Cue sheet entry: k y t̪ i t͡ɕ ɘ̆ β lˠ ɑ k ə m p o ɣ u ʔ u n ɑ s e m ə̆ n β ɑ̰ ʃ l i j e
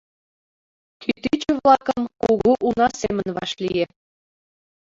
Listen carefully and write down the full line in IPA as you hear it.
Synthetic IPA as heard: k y t̪ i t͡ɕ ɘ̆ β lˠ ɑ k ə m k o ɣ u ʔ u n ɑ s e m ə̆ n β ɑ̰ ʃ l i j e